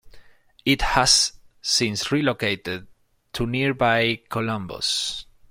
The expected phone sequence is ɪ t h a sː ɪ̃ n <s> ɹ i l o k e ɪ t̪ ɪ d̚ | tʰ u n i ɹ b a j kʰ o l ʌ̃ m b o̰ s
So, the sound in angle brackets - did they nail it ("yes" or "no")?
yes